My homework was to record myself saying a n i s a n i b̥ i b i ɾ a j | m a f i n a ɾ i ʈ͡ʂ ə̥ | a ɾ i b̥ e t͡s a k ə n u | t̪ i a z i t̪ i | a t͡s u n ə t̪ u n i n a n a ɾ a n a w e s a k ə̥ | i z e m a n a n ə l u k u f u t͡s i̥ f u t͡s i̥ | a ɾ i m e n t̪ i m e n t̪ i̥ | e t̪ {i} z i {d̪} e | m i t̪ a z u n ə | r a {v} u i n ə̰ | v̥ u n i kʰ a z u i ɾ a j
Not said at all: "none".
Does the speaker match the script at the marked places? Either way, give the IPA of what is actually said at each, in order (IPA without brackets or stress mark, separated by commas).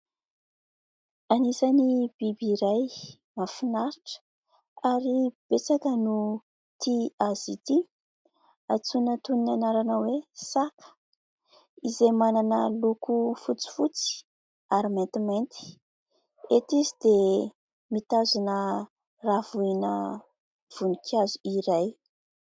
i, d̪, v